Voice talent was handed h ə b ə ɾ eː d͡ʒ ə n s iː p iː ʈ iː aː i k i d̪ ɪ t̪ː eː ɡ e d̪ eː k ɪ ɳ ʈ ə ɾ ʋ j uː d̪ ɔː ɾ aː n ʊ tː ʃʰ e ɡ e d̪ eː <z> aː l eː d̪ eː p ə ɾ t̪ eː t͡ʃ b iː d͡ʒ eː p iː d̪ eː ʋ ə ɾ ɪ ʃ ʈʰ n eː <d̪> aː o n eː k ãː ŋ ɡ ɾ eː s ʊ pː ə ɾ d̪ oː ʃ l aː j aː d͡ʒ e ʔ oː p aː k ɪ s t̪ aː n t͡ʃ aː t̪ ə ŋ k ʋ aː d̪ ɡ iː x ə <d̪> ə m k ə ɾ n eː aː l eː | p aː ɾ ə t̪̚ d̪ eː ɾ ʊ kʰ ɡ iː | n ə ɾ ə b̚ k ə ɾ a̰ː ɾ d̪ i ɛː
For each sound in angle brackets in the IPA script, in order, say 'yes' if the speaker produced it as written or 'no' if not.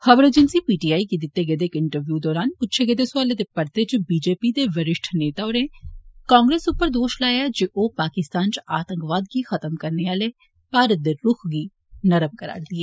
no, no, no

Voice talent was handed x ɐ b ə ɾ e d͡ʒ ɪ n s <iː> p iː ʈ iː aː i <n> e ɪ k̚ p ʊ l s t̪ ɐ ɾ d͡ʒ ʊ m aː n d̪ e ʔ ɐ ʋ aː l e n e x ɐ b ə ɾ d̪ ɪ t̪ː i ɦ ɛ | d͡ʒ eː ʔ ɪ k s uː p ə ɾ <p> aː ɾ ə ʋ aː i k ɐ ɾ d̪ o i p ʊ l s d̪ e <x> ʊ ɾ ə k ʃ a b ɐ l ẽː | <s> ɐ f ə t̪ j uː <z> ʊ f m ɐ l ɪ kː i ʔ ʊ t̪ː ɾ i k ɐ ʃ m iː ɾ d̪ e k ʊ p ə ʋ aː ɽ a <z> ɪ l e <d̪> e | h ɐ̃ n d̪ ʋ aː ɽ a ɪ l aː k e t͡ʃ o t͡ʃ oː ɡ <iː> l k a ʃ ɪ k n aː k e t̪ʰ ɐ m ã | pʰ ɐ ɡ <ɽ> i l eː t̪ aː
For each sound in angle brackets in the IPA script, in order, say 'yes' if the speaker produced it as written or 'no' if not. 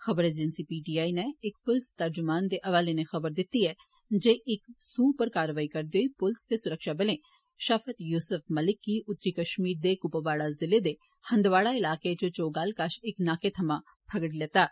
no, yes, no, no, no, no, yes, yes, no, yes

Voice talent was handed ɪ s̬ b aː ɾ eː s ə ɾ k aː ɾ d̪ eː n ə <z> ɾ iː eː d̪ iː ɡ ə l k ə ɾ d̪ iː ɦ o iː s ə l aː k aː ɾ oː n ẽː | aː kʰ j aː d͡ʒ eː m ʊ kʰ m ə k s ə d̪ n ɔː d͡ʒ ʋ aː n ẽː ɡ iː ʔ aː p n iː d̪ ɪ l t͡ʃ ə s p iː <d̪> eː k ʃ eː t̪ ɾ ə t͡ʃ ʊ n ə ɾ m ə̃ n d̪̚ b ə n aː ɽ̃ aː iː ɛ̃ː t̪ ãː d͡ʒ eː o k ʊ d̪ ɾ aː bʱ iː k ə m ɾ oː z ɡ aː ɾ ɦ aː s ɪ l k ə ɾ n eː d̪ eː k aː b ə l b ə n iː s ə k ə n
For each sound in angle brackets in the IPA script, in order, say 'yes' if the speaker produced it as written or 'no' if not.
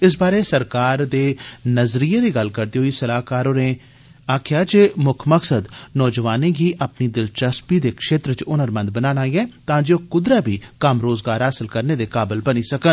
yes, yes

